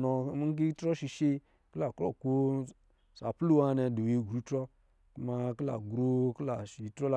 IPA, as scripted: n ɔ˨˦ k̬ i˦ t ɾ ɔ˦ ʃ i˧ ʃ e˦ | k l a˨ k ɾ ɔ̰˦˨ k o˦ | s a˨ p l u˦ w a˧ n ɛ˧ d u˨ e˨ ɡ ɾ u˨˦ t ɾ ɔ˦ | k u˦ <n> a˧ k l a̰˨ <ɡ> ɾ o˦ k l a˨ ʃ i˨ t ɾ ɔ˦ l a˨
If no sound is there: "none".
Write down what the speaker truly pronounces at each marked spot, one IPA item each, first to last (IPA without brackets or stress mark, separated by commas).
m, ɡ